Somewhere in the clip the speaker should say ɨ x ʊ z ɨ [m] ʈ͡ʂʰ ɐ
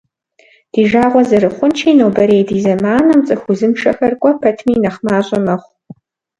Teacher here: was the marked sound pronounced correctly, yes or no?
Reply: yes